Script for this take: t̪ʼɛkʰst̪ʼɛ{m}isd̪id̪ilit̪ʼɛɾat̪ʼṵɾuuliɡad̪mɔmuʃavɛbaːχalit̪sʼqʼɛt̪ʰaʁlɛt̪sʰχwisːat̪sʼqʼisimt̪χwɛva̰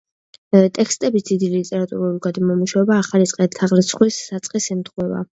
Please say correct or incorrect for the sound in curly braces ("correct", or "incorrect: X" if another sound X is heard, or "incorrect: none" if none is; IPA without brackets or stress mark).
incorrect: b